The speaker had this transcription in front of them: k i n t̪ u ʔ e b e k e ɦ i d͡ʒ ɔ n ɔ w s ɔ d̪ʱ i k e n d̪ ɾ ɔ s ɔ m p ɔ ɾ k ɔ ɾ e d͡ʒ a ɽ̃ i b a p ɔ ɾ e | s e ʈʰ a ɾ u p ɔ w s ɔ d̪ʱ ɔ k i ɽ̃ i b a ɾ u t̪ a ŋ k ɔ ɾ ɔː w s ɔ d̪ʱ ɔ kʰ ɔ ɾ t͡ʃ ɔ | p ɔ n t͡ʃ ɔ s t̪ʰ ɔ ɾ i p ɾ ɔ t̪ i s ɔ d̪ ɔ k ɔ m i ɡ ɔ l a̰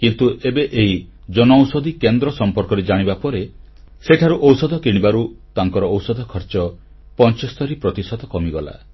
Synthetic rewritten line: k i n t̪ u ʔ e b e ʔ e ɦ i d͡ʒ ɔ n ɔ w s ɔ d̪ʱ i k e n d̪ ɾ ɔ s ɔ m p ɔ ɾ k ɔ ɾ e d͡ʒ a ɽ̃ i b a p ɔ ɾ e | s e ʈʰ a ɾ u ʔ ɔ w s ɔ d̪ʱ ɔ k i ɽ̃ i b a ɾ u t̪ a ŋ k ɔ ɾ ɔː w s ɔ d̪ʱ ɔ kʰ ɔ ɾ t͡ʃ ɔ | p ɔ n t͡ʃ ɔ s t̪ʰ ɔ ɾ i p ɾ ɔ t̪ i s ɔ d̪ ɔ k ɔ m i ɡ ɔ l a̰